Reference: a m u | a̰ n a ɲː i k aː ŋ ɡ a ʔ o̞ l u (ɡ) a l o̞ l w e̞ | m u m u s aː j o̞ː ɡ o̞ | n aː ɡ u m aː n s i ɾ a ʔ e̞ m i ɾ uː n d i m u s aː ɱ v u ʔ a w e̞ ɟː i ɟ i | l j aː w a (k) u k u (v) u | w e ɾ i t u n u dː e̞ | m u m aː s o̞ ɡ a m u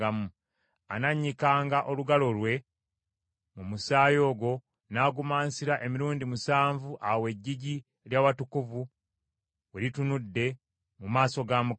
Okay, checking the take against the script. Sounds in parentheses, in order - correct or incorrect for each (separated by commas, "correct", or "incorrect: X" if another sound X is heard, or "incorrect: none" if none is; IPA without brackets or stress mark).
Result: correct, incorrect: t, correct